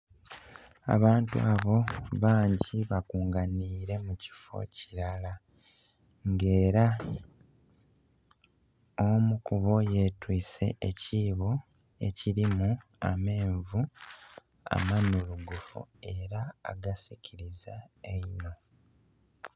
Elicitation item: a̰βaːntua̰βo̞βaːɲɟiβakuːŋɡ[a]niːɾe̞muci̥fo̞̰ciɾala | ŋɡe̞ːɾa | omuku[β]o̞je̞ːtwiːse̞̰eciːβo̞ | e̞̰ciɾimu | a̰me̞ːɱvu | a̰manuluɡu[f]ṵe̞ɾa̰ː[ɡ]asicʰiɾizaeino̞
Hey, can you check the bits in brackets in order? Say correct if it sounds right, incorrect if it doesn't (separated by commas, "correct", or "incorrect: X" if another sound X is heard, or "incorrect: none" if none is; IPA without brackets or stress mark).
correct, correct, correct, correct